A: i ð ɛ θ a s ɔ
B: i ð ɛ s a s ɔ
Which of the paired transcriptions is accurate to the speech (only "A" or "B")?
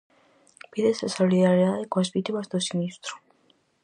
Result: B